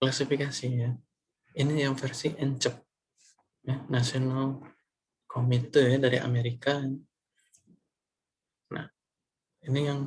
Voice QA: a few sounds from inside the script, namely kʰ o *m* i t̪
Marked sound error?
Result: no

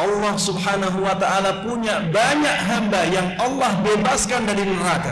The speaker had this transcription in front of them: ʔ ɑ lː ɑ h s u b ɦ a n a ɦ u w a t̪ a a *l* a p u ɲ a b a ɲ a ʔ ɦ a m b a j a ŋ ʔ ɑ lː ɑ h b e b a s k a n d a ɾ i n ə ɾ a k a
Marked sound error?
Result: no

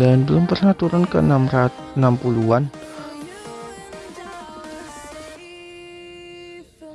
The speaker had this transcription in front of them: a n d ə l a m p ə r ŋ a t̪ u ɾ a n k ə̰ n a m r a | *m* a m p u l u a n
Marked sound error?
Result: yes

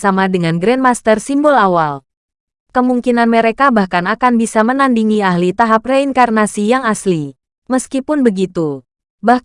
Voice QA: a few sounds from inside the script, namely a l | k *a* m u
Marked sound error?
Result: yes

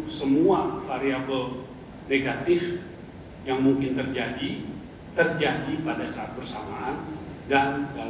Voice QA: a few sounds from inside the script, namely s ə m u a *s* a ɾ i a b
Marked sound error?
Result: yes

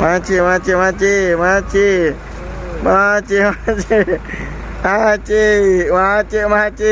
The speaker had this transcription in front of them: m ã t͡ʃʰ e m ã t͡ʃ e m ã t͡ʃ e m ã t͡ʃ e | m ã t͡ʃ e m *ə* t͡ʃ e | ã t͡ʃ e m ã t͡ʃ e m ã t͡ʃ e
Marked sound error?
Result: yes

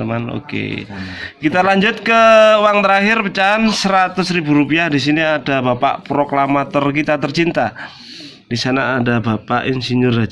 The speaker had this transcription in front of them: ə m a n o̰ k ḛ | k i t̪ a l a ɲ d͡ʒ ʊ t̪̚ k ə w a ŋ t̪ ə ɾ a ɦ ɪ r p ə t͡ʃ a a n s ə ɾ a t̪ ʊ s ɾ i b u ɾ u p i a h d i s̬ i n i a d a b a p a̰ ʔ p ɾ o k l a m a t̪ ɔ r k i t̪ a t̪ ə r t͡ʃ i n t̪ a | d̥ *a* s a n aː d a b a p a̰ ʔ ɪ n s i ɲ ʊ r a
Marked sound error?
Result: yes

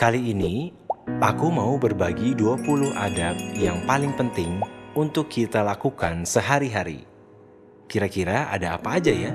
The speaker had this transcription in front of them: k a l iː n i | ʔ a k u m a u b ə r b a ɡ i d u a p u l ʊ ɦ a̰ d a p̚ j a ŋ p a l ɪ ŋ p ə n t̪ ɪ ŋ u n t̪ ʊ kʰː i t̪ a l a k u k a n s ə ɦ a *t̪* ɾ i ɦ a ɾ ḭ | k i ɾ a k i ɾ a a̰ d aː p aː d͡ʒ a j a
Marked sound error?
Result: yes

